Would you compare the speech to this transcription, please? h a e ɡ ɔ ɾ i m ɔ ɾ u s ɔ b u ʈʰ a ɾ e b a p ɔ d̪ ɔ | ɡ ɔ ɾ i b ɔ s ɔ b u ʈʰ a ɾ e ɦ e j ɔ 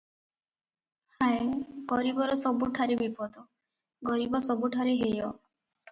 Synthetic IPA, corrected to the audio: h a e ɡ ɔ ɾ i b ɔ ɾ ɔ s ɔ b u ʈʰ a ɾ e b i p ɔ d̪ ɔ | ɡ ɔ ɾ i b ɔ s ɔ b u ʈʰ a ɾ e ɦ e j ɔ